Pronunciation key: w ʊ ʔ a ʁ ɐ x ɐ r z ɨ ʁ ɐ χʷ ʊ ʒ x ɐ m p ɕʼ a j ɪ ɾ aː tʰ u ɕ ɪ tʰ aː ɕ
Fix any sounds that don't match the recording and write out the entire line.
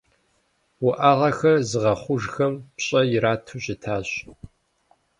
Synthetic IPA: w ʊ ʔ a ʁ ɐ x ɐ r z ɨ ʁ ɐ χʷ ʊ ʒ x ɐ m p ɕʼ ɐ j ɪ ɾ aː tʰ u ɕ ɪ tʰ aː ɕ